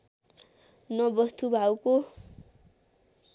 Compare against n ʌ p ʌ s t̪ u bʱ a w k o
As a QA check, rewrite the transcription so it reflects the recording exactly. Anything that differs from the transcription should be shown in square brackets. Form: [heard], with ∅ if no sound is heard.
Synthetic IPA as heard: n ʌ [b] ʌ s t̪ u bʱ a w k o

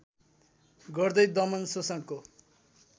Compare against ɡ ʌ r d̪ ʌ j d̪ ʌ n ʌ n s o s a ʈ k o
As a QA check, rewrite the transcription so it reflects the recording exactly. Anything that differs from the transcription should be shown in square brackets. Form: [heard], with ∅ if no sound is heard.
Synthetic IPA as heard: ɡ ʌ r d̪ ʌ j d̪ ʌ [m] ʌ n s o s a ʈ k o

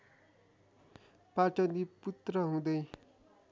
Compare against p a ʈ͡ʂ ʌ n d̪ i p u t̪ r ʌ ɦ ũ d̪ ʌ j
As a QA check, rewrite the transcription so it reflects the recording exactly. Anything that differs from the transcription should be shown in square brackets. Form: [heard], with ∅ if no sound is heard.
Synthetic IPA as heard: p a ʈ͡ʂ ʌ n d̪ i p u t̪ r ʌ ɦ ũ d̪ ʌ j

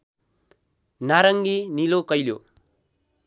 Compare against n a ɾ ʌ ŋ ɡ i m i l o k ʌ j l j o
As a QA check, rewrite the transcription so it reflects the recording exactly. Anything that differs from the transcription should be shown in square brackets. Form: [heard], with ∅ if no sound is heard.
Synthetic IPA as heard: n a ɾ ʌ ŋ ɡ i [n] i l o k ʌ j l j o

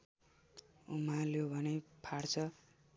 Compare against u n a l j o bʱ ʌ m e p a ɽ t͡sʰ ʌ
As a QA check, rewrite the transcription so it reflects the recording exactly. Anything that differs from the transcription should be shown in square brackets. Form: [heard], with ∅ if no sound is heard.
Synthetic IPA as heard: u [m] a l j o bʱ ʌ [n] e [pʰ] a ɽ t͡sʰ ʌ

